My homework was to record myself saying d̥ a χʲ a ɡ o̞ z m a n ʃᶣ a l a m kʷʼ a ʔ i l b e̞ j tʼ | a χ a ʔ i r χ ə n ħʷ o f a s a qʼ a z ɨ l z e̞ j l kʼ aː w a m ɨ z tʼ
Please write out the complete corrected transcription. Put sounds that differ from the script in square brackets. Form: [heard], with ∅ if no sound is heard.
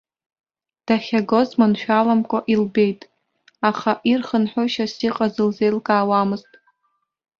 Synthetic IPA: d̥ a χʲ a ɡ o̞ z m a n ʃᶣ a l a m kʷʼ a ʔ i l b e̞ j tʼ | a χ a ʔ i r χ ə n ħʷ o [ʃ] a s [i] qʼ a z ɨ l z e̞ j l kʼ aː w a m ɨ z tʼ